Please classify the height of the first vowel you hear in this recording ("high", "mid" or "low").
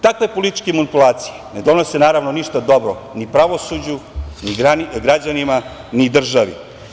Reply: low